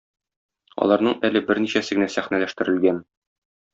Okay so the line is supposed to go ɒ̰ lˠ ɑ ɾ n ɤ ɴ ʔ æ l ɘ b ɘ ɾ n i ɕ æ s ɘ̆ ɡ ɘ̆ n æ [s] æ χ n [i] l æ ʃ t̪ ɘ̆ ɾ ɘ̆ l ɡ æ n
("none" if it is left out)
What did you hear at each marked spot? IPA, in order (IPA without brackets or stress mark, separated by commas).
s, æ